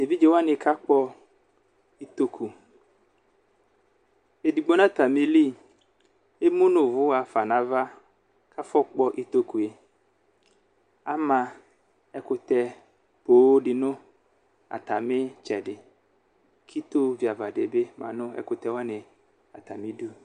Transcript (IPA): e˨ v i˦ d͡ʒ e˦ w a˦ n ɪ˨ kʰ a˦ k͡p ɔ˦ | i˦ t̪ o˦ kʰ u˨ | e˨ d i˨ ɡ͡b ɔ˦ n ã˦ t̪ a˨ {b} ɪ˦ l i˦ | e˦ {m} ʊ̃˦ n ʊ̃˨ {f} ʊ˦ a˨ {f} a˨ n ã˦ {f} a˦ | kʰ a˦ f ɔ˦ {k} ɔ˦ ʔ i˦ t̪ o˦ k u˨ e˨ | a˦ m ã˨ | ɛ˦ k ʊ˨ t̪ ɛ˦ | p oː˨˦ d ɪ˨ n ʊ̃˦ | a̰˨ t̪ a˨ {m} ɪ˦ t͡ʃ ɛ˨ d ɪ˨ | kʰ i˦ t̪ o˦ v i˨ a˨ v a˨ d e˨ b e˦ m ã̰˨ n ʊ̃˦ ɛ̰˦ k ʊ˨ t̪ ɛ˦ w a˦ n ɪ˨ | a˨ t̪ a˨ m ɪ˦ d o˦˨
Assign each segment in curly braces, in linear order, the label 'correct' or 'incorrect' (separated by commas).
incorrect, correct, incorrect, correct, incorrect, incorrect, correct